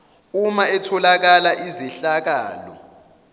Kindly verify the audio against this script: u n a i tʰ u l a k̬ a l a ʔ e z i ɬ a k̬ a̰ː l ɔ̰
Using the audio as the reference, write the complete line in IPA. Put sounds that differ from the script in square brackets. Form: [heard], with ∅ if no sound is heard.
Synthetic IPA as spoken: u [m] a [ɛ] tʰ [ɔ] l a k̬ a l a ʔ [i] z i ɬ a k̬ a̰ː l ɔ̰